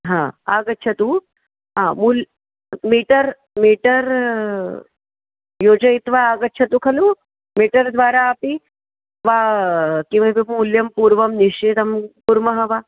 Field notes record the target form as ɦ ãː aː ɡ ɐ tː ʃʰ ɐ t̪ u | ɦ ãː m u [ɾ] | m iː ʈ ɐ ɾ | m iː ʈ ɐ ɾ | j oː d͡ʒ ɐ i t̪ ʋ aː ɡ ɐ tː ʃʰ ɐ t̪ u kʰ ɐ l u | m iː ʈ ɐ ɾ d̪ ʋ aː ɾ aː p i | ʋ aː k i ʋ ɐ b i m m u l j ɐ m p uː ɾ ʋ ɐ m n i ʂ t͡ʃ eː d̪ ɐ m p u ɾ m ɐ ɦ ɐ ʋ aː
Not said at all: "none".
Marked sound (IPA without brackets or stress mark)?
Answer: l